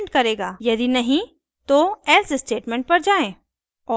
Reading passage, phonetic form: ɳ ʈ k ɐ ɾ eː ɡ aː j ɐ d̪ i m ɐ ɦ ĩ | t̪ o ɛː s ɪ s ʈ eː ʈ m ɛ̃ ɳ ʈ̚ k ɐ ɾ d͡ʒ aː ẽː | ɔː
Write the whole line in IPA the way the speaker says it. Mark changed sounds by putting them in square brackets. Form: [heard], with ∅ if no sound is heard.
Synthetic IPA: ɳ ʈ k ɐ ɾ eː ɡ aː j ɐ d̪ i [n] ɐ ɦ ĩ | t̪ o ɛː s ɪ s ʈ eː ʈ m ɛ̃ ɳ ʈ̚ [p] ɐ ɾ d͡ʒ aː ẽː | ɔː

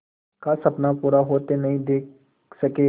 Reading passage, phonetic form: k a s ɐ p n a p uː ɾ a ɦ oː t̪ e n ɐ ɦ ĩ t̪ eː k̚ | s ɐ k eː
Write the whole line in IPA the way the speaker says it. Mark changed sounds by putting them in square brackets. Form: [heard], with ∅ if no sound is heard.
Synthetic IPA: k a s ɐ p n a p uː ɾ a ɦ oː t̪ e n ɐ ɦ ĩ [d̪] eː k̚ | s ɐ k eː

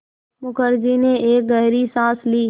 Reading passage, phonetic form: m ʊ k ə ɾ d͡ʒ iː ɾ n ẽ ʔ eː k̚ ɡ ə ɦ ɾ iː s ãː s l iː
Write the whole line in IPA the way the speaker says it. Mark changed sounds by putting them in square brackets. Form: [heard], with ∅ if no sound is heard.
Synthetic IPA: m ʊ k ə ɾ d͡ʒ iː [∅] n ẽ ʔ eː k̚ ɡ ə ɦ ɾ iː s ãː s l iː

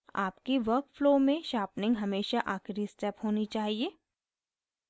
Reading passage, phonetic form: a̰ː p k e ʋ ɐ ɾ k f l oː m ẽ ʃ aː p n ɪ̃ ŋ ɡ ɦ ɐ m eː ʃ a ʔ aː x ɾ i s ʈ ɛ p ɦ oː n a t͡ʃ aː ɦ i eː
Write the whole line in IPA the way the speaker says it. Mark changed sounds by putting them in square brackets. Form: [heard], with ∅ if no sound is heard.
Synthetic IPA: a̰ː p k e ʋ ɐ ɾ k f l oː m ẽ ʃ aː p n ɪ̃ ŋ ɡ ɦ ɐ m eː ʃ a ʔ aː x ɾ i s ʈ ɛ p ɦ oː n [i] t͡ʃ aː ɦ i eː

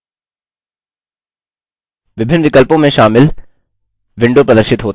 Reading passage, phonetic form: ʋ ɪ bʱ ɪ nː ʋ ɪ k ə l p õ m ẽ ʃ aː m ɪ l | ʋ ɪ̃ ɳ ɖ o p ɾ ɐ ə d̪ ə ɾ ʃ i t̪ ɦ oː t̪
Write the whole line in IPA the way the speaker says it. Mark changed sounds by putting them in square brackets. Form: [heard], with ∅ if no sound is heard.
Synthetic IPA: ʋ ɪ bʱ ɪ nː ʋ ɪ k ə l p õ m ẽ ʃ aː m ɪ l | ʋ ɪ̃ ɳ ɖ o p ɾ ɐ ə d̪ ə ɾ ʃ [ɪ] t̪ ɦ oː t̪

